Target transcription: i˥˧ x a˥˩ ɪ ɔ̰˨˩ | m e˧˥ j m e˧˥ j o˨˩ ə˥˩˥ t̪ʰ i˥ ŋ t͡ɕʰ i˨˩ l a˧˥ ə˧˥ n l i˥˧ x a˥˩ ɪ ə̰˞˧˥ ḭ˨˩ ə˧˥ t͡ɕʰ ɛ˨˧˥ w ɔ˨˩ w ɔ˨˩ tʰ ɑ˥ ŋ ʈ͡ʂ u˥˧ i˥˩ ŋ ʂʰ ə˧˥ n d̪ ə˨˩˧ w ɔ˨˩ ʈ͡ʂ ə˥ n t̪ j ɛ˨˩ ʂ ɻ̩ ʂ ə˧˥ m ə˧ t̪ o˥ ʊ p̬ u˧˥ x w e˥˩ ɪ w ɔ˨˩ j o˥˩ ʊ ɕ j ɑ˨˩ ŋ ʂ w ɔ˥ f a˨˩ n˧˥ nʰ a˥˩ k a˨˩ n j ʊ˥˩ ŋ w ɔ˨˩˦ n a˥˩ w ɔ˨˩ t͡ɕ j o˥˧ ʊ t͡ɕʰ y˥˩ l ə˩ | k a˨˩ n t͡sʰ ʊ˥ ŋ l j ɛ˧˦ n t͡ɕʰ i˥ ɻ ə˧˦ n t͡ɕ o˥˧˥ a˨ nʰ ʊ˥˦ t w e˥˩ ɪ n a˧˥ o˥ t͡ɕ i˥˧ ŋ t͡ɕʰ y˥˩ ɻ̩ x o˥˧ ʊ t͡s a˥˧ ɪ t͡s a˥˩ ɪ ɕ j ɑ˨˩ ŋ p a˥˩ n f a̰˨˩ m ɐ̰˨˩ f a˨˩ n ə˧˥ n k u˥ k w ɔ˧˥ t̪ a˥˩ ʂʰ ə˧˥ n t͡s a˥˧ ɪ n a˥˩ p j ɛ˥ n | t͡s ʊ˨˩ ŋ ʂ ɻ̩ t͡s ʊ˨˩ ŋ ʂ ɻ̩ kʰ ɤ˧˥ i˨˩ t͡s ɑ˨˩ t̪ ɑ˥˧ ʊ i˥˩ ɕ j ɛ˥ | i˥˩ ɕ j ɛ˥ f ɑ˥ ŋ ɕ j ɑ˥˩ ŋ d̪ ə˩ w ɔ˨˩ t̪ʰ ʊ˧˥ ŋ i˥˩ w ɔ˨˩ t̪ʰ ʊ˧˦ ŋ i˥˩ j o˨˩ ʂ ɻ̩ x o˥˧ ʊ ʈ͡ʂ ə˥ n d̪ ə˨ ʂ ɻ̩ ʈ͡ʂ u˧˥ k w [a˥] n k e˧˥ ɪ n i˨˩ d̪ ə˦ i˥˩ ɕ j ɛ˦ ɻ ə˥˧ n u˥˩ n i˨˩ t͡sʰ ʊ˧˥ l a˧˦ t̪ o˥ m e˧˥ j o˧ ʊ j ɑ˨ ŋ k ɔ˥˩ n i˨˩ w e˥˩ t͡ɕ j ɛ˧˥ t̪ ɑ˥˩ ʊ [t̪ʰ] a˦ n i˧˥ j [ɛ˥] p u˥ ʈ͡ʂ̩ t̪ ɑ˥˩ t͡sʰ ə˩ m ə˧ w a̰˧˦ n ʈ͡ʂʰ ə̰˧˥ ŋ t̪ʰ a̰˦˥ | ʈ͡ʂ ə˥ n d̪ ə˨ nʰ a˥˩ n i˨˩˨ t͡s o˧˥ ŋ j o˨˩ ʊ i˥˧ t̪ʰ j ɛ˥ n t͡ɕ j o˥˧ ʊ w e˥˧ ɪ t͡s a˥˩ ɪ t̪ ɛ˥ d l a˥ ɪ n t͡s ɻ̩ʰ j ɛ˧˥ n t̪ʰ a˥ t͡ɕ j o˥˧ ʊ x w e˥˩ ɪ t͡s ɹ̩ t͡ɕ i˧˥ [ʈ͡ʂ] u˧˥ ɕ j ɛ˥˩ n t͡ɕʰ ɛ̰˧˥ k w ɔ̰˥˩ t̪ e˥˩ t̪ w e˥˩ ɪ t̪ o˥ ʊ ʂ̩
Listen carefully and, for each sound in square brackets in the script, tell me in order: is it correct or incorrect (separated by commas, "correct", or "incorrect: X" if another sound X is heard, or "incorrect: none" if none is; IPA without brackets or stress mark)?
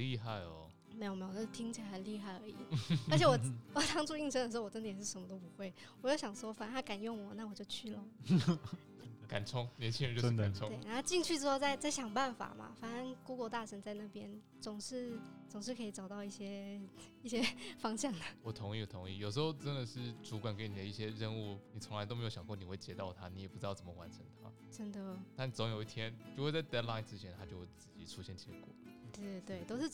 incorrect: a˨˩, correct, incorrect: ɛ˨˩, incorrect: ʈ͡ʂʰ